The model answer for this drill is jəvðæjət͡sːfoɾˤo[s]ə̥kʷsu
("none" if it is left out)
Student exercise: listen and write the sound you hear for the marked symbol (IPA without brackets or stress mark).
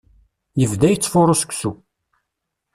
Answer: s